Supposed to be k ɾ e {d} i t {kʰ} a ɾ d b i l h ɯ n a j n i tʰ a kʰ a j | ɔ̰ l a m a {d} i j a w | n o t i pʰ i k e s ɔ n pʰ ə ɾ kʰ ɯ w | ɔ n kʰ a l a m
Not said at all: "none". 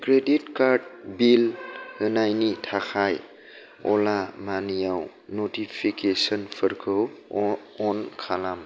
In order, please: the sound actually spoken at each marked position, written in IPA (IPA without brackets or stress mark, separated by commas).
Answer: d, k, n